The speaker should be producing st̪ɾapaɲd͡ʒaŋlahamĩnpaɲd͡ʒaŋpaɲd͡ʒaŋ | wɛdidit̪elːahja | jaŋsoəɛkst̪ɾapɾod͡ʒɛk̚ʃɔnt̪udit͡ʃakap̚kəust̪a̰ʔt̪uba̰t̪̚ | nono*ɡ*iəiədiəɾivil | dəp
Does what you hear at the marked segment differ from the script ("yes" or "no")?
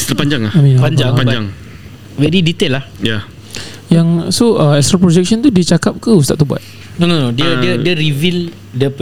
yes